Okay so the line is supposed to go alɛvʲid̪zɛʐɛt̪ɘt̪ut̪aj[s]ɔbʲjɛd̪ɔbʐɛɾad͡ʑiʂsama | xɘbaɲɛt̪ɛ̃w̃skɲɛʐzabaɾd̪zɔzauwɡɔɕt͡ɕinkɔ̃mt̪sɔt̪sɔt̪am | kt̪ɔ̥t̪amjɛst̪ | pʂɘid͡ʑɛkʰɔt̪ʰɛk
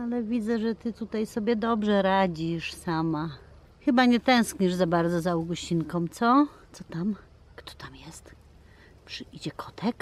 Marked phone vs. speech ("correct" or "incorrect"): correct